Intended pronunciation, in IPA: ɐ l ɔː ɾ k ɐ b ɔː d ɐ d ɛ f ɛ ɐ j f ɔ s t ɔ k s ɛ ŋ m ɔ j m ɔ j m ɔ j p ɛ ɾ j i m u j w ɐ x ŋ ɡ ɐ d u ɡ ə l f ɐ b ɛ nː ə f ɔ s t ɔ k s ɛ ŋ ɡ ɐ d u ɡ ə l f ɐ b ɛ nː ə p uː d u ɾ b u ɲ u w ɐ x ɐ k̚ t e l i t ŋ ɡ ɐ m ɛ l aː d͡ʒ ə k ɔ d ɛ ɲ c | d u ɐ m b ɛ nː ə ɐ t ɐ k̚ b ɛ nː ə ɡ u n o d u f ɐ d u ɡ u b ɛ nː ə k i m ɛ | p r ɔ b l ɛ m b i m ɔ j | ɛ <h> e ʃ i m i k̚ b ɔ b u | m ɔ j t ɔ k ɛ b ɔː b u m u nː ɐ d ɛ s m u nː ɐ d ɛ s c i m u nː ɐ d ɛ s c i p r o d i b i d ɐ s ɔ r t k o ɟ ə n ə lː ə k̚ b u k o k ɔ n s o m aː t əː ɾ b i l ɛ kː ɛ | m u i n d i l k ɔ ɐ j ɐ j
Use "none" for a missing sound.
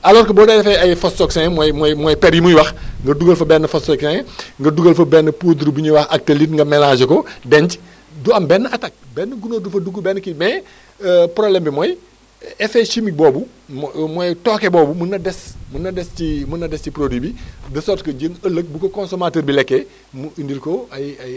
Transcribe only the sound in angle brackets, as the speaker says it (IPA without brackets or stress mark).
f